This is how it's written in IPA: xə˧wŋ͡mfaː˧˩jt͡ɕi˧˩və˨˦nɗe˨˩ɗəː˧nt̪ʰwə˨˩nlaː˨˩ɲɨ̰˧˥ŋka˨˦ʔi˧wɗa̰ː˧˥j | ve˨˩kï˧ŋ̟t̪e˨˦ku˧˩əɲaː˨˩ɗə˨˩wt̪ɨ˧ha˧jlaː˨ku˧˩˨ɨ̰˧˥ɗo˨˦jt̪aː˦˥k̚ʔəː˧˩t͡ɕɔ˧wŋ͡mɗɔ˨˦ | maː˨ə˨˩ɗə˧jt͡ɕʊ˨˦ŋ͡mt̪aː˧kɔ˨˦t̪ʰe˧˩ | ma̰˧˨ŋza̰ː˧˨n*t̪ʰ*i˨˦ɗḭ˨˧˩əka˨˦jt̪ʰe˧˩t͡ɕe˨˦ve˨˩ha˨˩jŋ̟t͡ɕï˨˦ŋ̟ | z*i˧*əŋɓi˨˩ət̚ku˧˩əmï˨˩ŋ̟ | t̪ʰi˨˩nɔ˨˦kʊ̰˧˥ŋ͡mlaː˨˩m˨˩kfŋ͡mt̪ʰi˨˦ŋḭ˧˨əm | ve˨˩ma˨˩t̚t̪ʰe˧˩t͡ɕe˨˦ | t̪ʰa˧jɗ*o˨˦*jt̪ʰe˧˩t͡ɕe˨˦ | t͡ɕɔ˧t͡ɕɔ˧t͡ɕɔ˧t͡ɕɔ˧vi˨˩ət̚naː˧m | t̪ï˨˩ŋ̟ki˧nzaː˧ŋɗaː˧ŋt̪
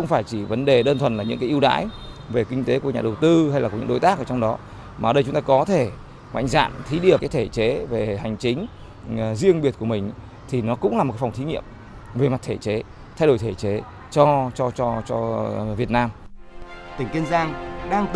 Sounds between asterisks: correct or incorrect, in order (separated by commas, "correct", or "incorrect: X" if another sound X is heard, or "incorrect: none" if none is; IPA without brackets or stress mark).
correct, correct, incorrect: o˧˩